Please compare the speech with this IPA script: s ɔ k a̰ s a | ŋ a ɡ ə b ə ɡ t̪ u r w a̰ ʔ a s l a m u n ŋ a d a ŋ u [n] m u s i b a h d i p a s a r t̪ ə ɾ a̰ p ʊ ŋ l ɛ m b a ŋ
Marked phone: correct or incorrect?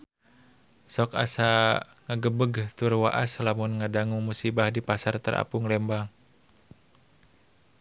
incorrect